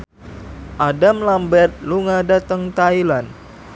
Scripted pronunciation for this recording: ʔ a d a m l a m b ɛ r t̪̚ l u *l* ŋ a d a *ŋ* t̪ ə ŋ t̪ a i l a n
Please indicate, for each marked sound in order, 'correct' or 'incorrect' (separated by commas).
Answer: incorrect, incorrect